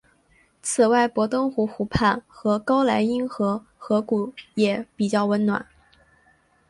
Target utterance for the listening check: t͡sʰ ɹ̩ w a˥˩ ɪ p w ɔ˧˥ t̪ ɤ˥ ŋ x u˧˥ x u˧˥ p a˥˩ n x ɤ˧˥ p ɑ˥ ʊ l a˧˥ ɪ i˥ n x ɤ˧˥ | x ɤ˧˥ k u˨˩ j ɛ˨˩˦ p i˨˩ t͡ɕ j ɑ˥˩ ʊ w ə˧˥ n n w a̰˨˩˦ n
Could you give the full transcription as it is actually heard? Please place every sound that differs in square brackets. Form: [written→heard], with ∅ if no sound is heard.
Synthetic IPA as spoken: t͡sʰ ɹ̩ w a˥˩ ɪ p w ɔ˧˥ t̪ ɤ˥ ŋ x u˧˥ x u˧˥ [p→pʰ] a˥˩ n x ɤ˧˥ [p→k] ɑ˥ ʊ l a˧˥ ɪ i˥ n x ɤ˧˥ | x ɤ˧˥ k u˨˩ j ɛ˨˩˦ p i˨˩ t͡ɕ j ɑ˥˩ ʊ w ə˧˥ n n w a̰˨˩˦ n